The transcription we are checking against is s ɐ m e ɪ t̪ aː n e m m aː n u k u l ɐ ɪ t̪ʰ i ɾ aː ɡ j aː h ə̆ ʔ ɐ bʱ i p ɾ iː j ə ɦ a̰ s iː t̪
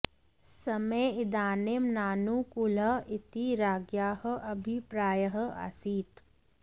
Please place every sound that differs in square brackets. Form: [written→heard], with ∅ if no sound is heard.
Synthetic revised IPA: s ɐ m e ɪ [t̪→d̪] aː n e m [m→n] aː n u k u l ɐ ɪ [t̪ʰ→t̪] i ɾ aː ɡ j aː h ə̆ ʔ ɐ bʱ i p ɾ [iː→aː] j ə ɦ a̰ s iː t̪